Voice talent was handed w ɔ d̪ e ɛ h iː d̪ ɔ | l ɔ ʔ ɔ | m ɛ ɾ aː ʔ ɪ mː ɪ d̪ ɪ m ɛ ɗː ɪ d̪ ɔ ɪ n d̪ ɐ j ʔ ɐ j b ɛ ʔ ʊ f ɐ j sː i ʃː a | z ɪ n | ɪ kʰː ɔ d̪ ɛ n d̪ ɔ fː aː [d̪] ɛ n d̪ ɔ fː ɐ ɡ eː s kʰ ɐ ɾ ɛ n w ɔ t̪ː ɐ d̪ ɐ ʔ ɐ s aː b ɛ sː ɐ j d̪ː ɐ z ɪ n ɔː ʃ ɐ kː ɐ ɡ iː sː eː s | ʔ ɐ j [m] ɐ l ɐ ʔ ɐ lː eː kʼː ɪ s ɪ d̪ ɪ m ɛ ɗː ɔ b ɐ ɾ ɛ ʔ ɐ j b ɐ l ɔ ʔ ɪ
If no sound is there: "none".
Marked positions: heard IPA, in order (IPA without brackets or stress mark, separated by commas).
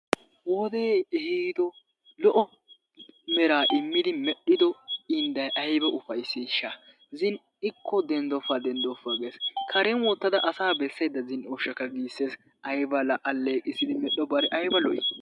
d̪, b